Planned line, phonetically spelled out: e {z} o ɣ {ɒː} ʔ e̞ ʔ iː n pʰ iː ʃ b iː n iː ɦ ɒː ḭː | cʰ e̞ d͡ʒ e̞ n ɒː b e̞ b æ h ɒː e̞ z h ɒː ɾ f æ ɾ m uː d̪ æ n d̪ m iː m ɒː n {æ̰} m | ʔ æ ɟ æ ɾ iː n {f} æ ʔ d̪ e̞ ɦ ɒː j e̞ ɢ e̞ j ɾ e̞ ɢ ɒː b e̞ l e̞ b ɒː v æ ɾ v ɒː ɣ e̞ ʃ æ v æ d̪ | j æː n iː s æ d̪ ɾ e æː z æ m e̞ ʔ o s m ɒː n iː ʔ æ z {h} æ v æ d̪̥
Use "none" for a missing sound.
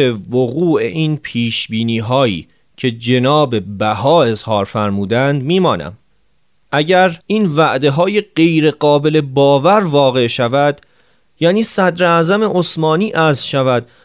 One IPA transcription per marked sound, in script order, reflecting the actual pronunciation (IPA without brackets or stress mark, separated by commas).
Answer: v, uː, æ̰, v, ʃ